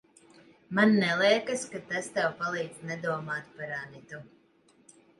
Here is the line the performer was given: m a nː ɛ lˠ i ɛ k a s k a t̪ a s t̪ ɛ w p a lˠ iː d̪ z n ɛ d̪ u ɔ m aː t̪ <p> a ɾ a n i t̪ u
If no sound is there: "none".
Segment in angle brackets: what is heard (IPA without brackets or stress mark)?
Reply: p